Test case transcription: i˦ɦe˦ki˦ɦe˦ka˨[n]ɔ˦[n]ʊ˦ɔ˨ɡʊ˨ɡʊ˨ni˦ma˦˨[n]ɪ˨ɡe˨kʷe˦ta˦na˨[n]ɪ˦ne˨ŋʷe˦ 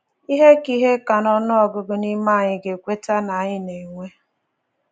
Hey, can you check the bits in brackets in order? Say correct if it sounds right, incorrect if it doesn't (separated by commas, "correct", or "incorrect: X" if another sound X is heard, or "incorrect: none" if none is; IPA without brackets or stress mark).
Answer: correct, correct, incorrect: ɲ, incorrect: ɲ